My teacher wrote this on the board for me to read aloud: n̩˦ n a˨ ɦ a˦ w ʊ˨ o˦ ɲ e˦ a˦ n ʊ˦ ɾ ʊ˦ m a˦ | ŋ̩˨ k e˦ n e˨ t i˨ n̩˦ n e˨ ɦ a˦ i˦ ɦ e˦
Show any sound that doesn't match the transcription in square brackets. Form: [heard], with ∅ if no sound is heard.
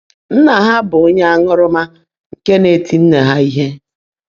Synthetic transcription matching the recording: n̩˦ n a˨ ɦ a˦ [b] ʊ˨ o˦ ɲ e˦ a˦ [ŋ] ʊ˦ ɾ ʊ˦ m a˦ | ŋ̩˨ k e˦ n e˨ t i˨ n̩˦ n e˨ ɦ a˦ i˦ ɦ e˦